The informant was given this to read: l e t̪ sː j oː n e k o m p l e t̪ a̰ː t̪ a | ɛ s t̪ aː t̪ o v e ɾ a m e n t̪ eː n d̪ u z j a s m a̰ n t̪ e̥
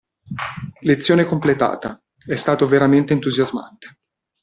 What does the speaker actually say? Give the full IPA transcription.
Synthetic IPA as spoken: l e t̪ sː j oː n e k o m p l e t̪ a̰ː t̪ a | ɛ s t̪ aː t̪ o v e ɾ a m e n t̪ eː n t̪ u z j a z m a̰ n t̪ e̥